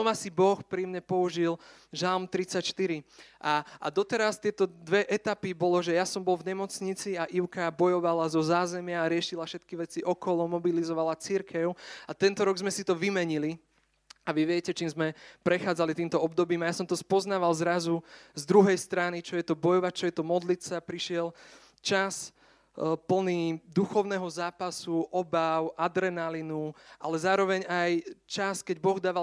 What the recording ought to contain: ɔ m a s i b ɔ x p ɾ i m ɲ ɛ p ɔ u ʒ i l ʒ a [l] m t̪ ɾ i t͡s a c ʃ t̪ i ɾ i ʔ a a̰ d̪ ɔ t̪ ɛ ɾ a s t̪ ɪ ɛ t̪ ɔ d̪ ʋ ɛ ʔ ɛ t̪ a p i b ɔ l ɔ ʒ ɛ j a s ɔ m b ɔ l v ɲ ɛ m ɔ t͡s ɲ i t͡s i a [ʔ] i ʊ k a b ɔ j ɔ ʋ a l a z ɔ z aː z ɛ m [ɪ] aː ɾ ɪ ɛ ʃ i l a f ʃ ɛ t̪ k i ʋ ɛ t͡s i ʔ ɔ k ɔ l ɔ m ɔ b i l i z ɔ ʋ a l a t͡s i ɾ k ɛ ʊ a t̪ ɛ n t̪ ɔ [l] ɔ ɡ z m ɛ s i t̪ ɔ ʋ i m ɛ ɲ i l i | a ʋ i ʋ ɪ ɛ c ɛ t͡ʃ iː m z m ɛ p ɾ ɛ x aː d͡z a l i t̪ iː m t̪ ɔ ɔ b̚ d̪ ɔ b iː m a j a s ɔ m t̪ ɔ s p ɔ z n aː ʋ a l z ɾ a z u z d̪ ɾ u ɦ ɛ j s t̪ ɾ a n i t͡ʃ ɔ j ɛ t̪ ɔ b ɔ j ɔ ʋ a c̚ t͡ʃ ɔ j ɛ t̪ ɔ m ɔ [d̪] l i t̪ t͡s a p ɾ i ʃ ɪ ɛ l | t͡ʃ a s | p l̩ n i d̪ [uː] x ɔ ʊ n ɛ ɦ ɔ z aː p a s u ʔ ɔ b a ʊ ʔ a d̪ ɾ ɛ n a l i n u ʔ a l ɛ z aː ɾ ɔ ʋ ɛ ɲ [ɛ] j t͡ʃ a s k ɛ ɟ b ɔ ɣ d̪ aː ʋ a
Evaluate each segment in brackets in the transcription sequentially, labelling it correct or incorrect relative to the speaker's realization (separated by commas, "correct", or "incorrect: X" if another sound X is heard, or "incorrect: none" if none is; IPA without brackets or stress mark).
correct, correct, correct, incorrect: ɾ, correct, incorrect: u, incorrect: a